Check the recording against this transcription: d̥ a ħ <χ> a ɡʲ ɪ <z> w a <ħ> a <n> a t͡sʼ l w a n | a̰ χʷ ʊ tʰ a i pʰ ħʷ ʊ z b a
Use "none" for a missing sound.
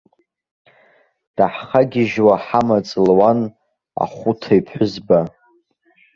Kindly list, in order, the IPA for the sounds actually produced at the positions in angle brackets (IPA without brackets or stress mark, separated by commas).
χ, ʒ, ħ, m